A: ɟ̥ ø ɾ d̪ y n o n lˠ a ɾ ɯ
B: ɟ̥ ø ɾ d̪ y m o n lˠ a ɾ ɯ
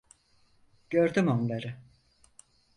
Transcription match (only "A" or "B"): B